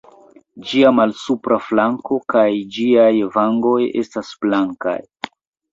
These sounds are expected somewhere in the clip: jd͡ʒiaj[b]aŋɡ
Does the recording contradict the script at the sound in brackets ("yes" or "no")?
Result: yes